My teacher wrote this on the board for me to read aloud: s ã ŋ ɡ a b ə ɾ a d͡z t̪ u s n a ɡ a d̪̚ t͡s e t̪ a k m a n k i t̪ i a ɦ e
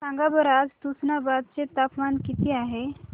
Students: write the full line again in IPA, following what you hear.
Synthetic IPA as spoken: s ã ŋ ɡ a b ə ɾ a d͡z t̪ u s n a b a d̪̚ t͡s e t̪ a p m a n k i t̪ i a ɦ e